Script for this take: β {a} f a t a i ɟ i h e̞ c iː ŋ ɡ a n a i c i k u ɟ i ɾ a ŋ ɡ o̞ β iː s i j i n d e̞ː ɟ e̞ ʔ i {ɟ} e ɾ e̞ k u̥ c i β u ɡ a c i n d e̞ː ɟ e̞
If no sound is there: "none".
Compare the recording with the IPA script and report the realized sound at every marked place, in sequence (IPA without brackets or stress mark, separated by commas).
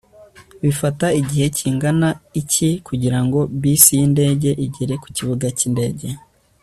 i, ɟ